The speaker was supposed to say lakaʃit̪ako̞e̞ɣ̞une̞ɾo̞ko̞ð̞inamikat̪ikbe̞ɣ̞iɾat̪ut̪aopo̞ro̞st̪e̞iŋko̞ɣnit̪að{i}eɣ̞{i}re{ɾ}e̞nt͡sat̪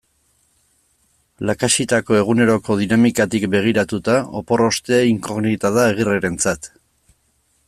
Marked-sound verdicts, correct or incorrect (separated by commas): incorrect, correct, correct